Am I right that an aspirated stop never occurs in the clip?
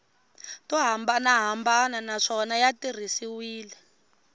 yes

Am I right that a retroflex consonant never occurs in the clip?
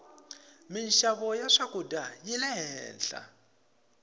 no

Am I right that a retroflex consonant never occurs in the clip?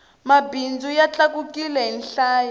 yes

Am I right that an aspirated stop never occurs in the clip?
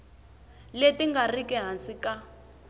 yes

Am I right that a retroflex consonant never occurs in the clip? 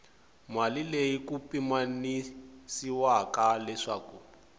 no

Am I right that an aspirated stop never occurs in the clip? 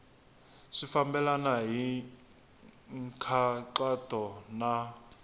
no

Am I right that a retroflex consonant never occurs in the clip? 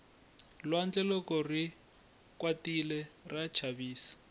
yes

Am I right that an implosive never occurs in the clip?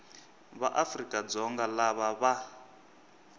yes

